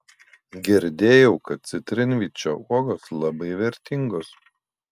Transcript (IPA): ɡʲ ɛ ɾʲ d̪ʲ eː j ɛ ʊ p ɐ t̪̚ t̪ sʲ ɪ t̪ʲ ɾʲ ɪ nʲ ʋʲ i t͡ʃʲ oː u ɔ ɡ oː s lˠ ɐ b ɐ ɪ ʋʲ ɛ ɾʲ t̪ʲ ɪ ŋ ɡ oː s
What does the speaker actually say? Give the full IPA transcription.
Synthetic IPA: ɡʲ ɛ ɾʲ d̪ʲ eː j ɛ ʊ k ɐ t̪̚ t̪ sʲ ɪ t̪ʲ ɾʲ ɪ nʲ ʋʲ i t͡ʃʲ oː u ɔ ɡ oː s lˠ ɐ b ɐ ɪ ʋʲ ɛ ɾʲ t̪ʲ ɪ ŋ ɡ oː s